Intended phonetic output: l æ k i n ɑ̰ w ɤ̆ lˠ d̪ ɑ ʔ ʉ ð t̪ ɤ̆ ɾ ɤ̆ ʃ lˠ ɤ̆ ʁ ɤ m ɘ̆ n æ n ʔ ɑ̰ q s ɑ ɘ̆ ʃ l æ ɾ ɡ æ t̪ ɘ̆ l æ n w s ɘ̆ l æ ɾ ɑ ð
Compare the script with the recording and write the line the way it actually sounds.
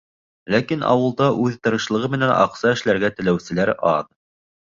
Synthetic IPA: l æ k i n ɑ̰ w ɤ̆ lˠ d̪ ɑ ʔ ʉ ð t̪ ɤ̆ ɾ ɤ̆ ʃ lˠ ɤ̆ ʁ ɤ m ɘ̆ n æ n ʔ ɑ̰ q s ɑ ɘ̆ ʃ l æ ɾ ɡ æ t̪ ɘ̆ l æ w s ɘ̆ l æ ɾ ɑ ð